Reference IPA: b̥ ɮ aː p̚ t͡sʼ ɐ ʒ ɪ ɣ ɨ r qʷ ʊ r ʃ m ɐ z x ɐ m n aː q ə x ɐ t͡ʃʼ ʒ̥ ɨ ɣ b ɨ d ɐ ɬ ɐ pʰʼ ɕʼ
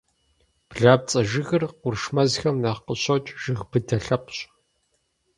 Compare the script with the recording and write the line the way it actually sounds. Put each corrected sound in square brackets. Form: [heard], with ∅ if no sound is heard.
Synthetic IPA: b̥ ɮ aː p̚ t͡sʼ ɐ ʒ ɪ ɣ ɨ r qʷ ʊ r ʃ m ɐ z x ɐ m n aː q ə [ɕ] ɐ t͡ʃʼ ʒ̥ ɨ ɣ b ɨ d ɐ ɬ ɐ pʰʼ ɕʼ